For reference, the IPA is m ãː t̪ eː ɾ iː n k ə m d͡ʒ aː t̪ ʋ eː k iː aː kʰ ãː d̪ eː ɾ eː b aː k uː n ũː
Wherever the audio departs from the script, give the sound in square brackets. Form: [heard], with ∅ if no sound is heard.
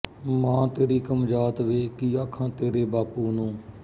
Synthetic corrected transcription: m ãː t̪ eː ɾ iː [∅] k ə m d͡ʒ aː t̪ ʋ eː k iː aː kʰ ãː [t̪] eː ɾ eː b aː [p] uː n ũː

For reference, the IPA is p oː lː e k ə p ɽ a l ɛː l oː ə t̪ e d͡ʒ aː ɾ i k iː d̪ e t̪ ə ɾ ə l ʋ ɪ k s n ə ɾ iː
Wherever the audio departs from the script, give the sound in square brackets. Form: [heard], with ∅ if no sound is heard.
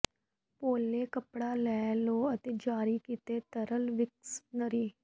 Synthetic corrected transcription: p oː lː e k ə p ɽ a l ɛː l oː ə t̪ e d͡ʒ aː ɾ i k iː [t̪] e t̪ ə ɾ ə l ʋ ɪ k s n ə ɾ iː

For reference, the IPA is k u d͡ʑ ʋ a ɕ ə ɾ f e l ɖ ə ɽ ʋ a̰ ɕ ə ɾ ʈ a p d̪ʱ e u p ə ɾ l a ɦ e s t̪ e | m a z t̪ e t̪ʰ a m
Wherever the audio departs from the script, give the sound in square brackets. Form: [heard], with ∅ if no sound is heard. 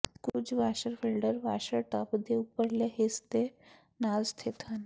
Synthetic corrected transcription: k u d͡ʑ ʋ a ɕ ə ɾ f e l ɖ ə [ɾ] ʋ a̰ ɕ ə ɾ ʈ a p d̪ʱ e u p ə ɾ l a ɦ e s t̪ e | [n] a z [t̪ʰ] e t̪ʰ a [n]

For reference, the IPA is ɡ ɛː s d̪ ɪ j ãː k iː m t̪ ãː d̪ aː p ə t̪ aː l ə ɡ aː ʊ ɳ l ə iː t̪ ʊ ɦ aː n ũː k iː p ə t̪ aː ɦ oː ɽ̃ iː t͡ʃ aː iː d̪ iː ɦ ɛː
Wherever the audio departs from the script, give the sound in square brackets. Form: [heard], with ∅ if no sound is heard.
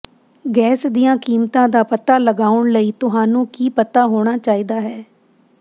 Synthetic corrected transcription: ɡ ɛː s d̪ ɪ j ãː k iː m t̪ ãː d̪ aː p ə t̪ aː l ə ɡ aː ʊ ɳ l ə iː t̪ ʊ ɦ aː n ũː k iː p ə t̪ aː ɦ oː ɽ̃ [aː] t͡ʃ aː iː d̪ [aː] ɦ ɛː

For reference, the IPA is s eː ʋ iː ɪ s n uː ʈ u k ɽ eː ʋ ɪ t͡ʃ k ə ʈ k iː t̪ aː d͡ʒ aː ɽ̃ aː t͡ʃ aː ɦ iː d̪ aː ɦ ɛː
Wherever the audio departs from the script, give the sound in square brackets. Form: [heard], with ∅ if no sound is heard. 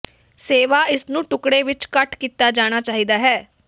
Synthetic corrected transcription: s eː ʋ [aː] ɪ s n [ũː] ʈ [ʊ] k ɽ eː ʋ ɪ t͡ʃ k ə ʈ k iː t̪ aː d͡ʒ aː ɽ̃ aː t͡ʃ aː ɦ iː d̪ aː ɦ ɛː

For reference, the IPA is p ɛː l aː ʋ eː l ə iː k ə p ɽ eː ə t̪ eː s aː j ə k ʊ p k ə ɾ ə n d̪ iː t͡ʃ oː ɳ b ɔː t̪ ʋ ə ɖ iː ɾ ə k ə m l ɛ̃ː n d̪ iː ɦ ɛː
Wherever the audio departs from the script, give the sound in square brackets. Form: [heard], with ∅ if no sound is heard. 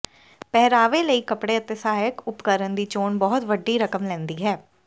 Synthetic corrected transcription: p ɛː [ɾ] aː ʋ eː l ə iː k ə p ɽ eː ə t̪ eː s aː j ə k ʊ p k ə ɾ ə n d̪ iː t͡ʃ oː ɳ b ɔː t̪ ʋ ə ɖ iː ɾ ə k ə m l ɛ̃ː n d̪ iː ɦ ɛː

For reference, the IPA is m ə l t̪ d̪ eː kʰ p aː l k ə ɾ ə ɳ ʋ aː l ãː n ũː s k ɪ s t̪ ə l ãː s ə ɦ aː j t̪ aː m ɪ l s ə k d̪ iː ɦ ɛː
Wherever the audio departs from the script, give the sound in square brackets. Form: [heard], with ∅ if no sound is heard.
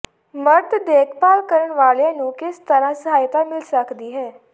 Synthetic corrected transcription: m ə [ɾ] t̪ d̪ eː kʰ p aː l k ə ɾ ə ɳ ʋ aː l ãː n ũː [∅] k ɪ s t̪ ə [ɾ] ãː s ə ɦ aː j t̪ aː m ɪ l s ə k d̪ iː ɦ ɛː

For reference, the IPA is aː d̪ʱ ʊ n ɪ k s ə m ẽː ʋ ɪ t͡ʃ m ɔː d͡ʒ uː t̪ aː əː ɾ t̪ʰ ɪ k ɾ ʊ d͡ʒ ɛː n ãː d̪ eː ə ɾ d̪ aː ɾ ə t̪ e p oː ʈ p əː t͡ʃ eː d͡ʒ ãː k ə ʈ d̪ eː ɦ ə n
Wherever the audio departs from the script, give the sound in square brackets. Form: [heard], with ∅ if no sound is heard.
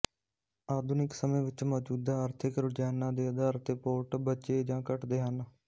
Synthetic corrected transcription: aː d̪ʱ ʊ n ɪ k s ə m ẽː ʋ ɪ t͡ʃ m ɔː d͡ʒ uː [d̪] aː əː ɾ t̪ʰ ɪ k ɾ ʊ d͡ʒ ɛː n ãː d̪ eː ə [∅] d̪ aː ɾ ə t̪ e p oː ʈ [b] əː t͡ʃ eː d͡ʒ ãː k ə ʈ d̪ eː ɦ ə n

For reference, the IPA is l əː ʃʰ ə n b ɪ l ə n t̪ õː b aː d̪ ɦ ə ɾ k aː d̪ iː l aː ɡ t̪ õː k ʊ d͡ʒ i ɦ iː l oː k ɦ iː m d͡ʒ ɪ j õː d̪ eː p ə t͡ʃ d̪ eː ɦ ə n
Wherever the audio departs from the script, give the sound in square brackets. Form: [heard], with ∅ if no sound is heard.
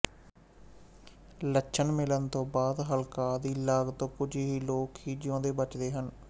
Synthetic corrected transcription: l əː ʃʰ ə n [m] ɪ l ə n t̪ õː b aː d̪ ɦ ə [l] k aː d̪ iː l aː ɡ t̪ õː k ʊ d͡ʒ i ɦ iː l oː k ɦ iː [∅] d͡ʒ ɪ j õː d̪ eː [b] ə t͡ʃ d̪ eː ɦ ə n

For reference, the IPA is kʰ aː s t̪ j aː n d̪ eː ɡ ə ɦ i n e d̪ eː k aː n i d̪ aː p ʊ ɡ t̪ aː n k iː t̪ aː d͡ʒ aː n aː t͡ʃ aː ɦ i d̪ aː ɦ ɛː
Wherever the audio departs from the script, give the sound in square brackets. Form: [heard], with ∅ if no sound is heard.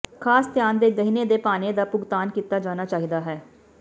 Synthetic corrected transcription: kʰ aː s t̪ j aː n d̪ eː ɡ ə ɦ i n e d̪ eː [p] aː n [e] d̪ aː p ʊ ɡ t̪ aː n k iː t̪ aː d͡ʒ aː n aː t͡ʃ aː ɦ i d̪ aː ɦ ɛː

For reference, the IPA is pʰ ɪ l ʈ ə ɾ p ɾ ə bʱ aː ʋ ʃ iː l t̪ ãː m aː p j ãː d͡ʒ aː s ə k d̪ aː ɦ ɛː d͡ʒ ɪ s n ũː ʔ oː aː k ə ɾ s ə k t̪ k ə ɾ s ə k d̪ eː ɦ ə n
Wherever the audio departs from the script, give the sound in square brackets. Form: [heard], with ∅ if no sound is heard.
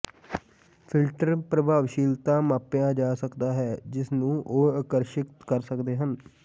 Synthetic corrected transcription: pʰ ɪ l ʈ ə ɾ p ɾ ə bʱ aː ʋ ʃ iː l t̪ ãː m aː p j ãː d͡ʒ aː s ə k d̪ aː ɦ ɛː d͡ʒ ɪ s n ũː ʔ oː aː k ə ɾ [ʃ] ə k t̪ k ə ɾ s ə k d̪ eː ɦ ə n

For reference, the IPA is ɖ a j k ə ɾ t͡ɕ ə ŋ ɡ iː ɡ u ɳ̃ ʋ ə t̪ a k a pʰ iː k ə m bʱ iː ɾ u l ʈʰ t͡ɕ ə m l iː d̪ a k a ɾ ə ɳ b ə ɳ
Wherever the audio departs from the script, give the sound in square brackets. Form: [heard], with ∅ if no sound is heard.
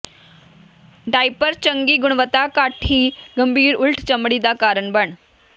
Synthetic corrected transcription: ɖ a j [p] ə ɾ t͡ɕ ə ŋ ɡ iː ɡ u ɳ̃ ʋ ə t̪ a k a [ʈʰ] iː [ɡ] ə m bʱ iː ɾ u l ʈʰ t͡ɕ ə m [ɽ] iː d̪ a k a ɾ ə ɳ b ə ɳ

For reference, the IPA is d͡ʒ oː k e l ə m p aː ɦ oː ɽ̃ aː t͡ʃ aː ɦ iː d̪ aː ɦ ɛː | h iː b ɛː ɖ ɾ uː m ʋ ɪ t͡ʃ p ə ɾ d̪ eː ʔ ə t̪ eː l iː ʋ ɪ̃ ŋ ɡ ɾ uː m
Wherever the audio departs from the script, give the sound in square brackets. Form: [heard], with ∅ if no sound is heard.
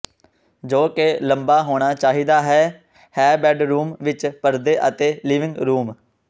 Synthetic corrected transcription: d͡ʒ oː k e l ə m [b] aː ɦ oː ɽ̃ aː t͡ʃ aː ɦ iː d̪ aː ɦ ɛː | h [ɛː] b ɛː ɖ ɾ uː m ʋ ɪ t͡ʃ p ə ɾ d̪ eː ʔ ə t̪ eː l iː ʋ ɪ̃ ŋ ɡ ɾ uː m

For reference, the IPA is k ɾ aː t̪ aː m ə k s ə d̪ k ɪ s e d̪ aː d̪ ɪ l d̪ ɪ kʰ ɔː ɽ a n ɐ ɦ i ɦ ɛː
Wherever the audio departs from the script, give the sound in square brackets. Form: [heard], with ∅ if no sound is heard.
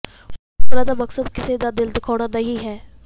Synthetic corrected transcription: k ɾ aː [d̪] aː m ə k s ə d̪ k ɪ s e d̪ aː d̪ ɪ l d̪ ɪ kʰ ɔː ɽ a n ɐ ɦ i ɦ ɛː

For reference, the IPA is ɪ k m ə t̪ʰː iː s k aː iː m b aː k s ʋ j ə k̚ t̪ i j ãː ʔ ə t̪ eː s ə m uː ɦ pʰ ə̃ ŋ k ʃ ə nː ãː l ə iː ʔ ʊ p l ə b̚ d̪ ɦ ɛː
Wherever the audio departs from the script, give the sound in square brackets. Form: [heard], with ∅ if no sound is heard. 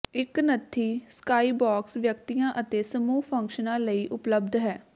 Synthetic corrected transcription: ɪ k [n] ə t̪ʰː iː s k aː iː [∅] b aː k s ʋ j ə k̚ t̪ i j ãː ʔ ə t̪ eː s ə m uː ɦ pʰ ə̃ ŋ k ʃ ə [n] ãː l ə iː ʔ ʊ p l ə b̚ d̪ ɦ ɛː

